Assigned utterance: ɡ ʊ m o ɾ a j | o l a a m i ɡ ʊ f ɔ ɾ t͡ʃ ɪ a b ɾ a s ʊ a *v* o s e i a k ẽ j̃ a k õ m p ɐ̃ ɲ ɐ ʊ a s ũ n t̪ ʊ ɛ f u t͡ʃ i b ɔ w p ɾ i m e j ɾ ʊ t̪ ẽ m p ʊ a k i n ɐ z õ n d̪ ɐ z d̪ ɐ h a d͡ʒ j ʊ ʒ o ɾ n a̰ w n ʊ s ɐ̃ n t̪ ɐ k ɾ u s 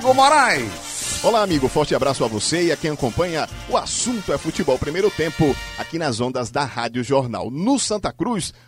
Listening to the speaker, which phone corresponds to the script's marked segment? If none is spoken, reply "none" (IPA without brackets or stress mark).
v